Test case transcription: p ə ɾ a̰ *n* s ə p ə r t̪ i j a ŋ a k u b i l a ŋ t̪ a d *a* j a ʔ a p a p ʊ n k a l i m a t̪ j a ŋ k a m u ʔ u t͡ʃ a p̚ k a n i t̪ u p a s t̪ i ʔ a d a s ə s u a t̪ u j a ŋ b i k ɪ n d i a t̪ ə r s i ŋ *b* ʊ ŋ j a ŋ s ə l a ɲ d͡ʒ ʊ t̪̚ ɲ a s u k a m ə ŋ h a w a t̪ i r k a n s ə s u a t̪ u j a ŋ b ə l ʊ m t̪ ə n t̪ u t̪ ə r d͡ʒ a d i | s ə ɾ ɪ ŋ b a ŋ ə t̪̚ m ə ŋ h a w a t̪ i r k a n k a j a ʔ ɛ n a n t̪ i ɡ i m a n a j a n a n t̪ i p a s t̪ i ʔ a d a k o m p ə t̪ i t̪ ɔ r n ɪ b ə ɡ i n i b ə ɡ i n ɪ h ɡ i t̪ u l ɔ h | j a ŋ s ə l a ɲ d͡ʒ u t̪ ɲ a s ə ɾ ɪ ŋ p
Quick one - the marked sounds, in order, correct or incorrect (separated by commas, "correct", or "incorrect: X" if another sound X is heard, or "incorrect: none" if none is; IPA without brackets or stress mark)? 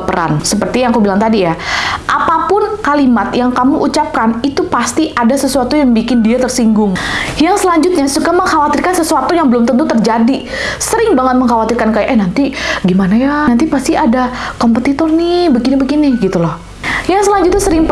correct, incorrect: i, incorrect: ɡ